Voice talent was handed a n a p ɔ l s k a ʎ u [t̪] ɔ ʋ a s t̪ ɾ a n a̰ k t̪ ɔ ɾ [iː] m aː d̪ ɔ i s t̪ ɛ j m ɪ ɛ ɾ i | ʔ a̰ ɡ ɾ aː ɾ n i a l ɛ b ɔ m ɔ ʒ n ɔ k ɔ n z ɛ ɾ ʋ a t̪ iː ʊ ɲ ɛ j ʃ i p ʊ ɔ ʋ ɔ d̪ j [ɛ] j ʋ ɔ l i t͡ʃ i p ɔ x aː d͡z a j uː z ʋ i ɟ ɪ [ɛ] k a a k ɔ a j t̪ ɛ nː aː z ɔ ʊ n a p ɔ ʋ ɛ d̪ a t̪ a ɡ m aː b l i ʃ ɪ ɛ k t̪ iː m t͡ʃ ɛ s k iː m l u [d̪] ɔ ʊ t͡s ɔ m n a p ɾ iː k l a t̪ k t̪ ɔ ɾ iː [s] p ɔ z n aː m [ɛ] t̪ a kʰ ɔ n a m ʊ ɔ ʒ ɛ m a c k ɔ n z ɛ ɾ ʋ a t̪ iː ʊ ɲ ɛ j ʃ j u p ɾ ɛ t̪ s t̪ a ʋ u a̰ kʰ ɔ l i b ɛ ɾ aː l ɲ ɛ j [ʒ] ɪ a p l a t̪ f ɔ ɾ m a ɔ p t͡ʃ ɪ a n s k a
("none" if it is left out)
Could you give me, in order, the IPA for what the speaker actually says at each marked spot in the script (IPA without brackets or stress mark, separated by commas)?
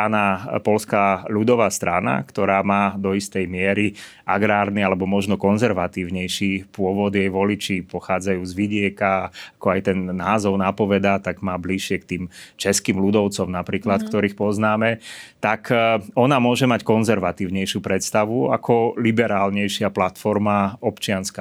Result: d̪, aː, ɛ, ɛ, d̪, x, ɛ, ʃ